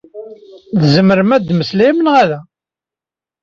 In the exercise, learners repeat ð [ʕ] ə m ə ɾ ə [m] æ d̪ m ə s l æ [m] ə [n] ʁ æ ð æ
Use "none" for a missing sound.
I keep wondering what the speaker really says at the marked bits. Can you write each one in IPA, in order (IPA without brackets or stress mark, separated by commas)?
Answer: z, m, m, n